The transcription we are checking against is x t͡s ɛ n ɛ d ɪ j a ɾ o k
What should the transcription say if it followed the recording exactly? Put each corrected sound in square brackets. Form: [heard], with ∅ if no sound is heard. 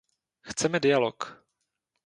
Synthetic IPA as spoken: x t͡s ɛ [m] ɛ d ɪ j a [l] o k